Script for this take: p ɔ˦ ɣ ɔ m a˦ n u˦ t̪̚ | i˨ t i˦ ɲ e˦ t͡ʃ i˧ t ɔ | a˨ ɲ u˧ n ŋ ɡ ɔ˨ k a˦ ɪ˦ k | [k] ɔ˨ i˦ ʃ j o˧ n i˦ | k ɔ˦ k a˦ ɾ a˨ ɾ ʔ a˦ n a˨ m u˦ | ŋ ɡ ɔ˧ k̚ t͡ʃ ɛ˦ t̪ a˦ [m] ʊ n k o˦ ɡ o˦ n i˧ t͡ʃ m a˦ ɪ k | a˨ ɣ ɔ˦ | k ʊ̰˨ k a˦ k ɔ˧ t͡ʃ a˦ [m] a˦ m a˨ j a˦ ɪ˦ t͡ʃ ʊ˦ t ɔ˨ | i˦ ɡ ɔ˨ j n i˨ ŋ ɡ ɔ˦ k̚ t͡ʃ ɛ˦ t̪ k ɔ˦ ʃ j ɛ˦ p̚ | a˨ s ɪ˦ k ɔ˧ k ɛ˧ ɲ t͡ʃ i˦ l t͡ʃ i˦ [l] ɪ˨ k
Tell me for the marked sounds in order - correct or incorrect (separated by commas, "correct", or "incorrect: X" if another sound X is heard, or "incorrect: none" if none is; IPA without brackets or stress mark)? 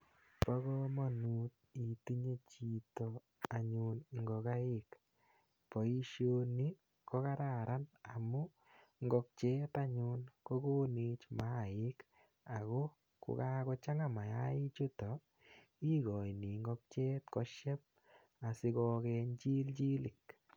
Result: incorrect: p, incorrect: ɲ, incorrect: ŋ, correct